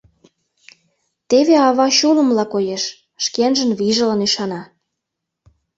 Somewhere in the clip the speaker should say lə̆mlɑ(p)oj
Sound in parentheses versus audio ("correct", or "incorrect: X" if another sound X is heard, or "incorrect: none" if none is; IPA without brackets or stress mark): incorrect: k